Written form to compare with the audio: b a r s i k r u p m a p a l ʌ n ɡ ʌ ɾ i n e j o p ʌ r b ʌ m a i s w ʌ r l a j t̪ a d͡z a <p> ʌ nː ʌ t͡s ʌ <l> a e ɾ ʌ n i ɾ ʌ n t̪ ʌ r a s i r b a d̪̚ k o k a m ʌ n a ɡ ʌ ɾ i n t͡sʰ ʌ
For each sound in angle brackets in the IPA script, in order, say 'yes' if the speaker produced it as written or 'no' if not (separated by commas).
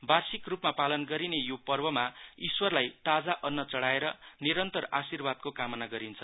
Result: no, no